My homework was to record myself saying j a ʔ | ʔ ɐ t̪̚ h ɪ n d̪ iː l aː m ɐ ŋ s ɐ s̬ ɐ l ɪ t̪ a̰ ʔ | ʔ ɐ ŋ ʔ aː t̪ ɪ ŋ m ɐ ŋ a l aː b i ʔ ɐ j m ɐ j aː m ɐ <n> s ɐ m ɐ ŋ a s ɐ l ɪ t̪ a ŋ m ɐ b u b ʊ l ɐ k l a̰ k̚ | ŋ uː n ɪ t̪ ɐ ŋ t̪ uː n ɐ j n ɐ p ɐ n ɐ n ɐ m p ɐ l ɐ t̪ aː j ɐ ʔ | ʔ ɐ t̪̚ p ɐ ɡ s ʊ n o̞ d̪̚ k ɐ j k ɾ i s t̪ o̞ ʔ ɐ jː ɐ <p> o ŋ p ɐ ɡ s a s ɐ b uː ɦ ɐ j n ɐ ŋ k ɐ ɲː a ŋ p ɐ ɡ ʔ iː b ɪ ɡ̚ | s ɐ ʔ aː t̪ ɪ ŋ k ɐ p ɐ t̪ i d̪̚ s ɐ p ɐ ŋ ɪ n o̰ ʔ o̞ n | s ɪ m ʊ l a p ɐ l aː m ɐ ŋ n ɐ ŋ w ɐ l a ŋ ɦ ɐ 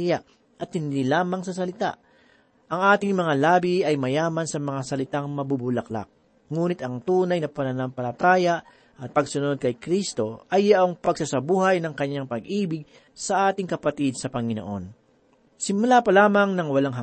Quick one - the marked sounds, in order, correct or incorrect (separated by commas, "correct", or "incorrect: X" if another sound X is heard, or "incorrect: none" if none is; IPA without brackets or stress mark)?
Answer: correct, incorrect: ʔ